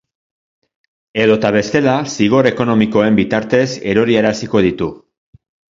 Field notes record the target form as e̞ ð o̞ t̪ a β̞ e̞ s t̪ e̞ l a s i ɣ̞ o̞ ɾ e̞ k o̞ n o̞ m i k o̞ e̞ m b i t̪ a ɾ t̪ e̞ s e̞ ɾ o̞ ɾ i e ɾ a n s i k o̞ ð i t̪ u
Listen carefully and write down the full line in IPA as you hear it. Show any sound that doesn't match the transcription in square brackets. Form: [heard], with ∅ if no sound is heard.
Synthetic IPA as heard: e̞ ð o̞ t̪ a β̞ e̞ s t̪ e̞ l a s i ɣ̞ o̞ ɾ e̞ k o̞ n o̞ m i k o̞ e̞ m b i t̪ a ɾ t̪ e̞ s e̞ ɾ o̞ ɾ i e ɾ a [∅] s i k o̞ ð i t̪ u